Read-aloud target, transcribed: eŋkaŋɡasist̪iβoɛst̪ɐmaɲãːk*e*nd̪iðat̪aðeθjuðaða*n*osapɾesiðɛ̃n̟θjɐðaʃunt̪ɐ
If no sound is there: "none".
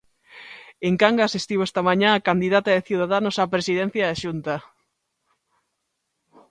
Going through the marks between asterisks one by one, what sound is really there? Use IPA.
a, n

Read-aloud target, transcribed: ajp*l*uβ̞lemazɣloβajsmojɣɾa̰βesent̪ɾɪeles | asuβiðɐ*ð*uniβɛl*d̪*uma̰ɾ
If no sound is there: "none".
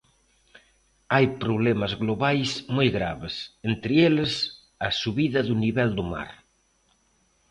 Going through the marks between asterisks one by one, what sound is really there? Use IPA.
ɾ, ð, d̪

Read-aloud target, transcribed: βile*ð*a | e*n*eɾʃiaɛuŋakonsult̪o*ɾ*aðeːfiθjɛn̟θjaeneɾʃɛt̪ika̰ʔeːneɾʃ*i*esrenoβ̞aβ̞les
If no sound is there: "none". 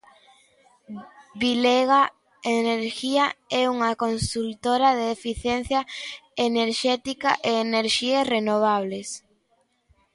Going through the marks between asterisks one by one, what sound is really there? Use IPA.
ɣ, n, ɾ, i

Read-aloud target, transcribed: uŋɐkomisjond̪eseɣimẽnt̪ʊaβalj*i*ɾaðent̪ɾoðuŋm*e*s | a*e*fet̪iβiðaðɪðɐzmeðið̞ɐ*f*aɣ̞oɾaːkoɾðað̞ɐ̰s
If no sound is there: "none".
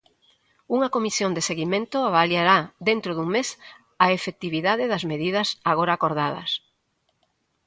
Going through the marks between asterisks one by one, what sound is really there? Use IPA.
a, e, e, s

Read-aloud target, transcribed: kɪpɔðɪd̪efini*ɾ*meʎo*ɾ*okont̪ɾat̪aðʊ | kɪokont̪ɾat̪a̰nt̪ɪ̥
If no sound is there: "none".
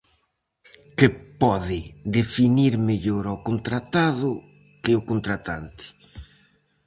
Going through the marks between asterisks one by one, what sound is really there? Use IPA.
ɾ, ɾ

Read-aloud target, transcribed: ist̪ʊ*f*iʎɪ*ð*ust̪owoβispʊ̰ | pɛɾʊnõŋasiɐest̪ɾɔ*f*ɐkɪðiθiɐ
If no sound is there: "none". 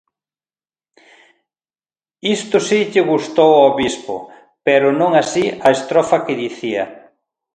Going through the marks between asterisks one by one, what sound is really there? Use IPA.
s, ɣ, f

